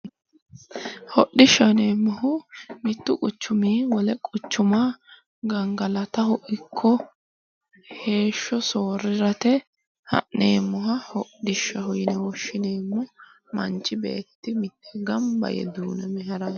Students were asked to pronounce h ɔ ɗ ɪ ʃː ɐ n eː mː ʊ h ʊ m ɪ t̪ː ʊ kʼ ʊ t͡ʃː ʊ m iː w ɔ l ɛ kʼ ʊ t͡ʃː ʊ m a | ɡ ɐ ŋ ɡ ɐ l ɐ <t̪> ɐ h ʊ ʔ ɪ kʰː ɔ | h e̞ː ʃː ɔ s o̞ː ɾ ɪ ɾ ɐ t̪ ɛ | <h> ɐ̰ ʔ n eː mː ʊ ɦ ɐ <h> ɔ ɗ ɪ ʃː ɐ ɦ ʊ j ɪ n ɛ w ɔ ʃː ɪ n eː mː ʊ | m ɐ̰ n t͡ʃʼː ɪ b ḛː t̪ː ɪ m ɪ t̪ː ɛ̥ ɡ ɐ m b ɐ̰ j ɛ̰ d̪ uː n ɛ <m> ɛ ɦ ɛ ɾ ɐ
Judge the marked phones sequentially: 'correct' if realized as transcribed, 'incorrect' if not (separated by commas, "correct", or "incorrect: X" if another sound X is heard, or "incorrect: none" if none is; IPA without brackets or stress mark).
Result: correct, correct, correct, correct